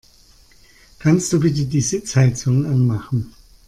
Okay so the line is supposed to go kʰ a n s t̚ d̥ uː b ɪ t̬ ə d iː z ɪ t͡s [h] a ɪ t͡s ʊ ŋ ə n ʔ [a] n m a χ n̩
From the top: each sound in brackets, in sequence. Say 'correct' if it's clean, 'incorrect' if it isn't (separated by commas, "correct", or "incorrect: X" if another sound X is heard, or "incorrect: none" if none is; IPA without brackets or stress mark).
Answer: correct, correct